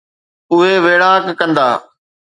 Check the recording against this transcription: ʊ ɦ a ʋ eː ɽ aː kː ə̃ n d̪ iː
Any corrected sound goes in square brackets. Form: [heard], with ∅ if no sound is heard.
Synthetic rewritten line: ʊ ɦ [e] ʋ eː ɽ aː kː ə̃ n d̪ [aː]